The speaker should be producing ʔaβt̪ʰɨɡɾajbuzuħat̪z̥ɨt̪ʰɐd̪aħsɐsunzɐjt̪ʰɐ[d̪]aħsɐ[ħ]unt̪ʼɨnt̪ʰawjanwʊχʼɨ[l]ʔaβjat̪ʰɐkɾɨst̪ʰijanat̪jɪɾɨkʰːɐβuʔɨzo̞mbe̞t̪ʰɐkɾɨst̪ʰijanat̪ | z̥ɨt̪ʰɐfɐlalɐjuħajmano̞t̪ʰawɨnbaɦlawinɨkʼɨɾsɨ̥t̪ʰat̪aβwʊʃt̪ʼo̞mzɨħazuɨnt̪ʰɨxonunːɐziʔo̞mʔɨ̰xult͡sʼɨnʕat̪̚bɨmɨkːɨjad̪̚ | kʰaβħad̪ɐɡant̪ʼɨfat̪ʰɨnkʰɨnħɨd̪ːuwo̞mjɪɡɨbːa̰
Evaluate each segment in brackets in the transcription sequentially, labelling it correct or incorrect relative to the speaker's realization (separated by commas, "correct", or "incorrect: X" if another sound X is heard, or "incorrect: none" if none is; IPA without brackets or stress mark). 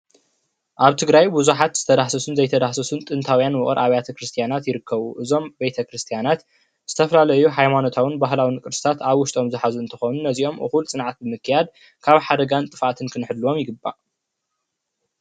correct, incorrect: s, incorrect: ɾ